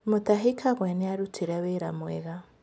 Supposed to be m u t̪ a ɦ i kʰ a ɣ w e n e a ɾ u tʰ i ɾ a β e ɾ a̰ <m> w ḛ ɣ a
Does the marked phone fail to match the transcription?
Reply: no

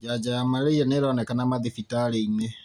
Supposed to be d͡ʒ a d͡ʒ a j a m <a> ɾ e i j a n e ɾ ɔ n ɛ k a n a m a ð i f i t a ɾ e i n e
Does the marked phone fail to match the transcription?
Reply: no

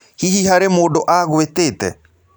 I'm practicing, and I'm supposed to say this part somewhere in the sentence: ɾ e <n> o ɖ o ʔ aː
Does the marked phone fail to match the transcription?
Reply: yes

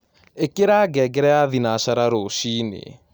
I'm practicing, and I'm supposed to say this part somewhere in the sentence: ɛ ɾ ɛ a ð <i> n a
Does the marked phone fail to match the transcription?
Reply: no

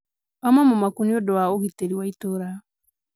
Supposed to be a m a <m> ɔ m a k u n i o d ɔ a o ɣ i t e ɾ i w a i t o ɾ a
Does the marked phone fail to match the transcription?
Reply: no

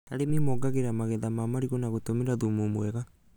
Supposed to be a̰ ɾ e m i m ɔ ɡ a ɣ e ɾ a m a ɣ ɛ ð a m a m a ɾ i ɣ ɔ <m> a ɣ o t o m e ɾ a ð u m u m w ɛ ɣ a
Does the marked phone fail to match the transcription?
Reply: yes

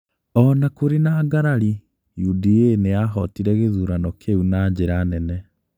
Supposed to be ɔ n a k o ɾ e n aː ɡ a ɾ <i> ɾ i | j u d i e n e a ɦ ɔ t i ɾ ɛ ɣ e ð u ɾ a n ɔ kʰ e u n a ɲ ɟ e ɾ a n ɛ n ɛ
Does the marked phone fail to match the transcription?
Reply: yes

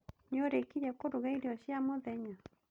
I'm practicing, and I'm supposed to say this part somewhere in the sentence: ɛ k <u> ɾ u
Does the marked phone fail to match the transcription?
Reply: yes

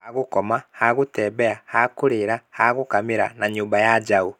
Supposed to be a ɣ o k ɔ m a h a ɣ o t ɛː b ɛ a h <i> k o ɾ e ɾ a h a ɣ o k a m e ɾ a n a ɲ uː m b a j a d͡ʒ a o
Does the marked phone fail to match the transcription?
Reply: yes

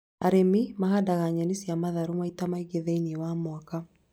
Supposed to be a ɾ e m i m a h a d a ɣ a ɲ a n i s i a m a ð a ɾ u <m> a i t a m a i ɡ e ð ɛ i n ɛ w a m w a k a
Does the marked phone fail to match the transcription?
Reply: no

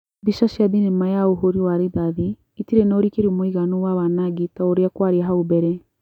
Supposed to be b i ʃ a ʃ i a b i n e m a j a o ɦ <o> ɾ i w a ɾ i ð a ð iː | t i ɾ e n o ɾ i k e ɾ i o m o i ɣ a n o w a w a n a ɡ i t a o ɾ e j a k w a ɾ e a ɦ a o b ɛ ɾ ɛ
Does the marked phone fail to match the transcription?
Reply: no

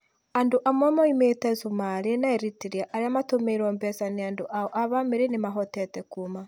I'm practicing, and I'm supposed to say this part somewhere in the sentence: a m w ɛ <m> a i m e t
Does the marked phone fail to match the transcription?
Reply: no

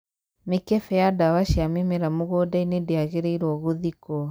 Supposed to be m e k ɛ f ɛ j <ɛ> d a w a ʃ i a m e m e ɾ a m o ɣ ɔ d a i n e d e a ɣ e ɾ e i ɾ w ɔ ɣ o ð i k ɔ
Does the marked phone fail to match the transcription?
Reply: yes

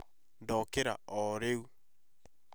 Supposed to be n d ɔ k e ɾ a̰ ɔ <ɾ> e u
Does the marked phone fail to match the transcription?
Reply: no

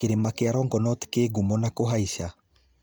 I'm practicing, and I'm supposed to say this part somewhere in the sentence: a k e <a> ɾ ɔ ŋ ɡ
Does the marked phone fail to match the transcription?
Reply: no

